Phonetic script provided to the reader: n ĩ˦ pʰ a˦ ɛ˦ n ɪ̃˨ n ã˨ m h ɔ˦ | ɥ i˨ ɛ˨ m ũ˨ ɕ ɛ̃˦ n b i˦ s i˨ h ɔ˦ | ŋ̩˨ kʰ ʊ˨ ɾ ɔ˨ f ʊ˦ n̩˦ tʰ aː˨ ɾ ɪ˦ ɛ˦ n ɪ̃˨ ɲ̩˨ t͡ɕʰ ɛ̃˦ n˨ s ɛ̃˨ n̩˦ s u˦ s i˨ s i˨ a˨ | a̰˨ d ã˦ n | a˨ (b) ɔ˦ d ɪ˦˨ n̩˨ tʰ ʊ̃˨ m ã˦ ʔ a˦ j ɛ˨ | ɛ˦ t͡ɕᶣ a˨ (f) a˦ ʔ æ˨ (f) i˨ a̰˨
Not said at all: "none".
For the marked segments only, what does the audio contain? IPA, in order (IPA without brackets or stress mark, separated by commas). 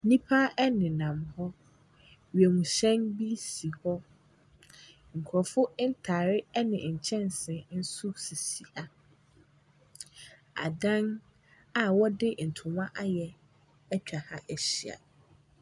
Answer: w, h, ɕ